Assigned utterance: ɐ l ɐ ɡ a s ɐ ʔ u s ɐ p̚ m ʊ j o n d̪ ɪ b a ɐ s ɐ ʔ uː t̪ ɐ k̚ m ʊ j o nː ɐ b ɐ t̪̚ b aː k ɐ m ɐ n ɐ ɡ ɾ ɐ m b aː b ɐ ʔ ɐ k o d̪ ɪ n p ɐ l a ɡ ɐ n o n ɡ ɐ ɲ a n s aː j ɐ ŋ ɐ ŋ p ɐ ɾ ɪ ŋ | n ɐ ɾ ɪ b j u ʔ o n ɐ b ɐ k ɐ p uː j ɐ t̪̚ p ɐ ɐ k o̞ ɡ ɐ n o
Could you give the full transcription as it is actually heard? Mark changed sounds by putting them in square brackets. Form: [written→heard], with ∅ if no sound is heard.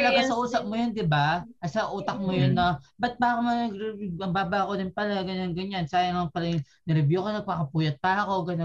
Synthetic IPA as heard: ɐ l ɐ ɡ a s ɐ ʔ [u→uː] s ɐ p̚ m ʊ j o n d̪ ɪ b a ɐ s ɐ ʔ uː t̪ ɐ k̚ m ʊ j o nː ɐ b ɐ t̪̚ b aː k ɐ m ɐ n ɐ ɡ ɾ ɐ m b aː b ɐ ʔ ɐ k o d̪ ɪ n p ɐ l a ɡ ɐ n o n ɡ ɐ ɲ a n s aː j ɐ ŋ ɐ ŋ p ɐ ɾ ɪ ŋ | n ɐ ɾ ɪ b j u [ʔ→k] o n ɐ [b→p] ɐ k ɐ p uː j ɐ t̪̚ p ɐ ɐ k o̞ ɡ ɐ n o